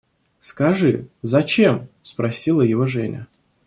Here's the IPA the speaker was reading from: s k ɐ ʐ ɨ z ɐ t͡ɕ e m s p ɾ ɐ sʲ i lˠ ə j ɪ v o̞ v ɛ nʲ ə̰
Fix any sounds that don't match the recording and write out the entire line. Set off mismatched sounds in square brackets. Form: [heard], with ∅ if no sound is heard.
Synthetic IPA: s k ɐ ʐ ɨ z ɐ t͡ɕ e m s p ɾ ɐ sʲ i lˠ ə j ɪ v o̞ [ʐ] ɛ nʲ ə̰